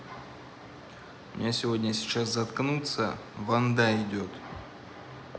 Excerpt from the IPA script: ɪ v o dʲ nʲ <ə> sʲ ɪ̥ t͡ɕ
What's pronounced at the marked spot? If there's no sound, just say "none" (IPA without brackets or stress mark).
ə